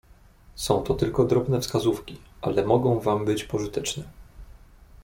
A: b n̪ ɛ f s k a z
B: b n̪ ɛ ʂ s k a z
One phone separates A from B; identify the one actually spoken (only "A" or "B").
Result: A